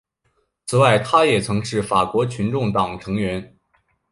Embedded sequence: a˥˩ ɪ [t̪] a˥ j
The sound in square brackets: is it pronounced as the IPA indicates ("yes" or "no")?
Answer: no